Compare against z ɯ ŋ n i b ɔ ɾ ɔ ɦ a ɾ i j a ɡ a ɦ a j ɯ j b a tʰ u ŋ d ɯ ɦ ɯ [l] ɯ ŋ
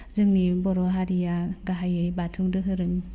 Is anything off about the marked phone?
yes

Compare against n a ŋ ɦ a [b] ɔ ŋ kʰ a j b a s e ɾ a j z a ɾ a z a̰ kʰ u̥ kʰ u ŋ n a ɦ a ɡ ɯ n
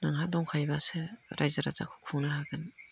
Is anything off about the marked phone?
yes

